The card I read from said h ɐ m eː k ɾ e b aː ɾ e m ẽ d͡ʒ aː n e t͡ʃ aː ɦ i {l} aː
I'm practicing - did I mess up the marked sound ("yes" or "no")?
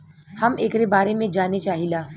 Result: no